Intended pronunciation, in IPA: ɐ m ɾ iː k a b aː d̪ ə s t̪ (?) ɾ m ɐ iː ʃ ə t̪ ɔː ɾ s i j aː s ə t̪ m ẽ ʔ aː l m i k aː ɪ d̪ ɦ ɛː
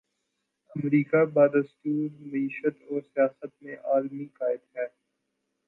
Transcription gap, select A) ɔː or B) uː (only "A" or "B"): B